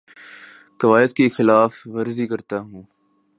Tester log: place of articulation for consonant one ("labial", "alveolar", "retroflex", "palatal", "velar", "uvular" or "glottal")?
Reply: velar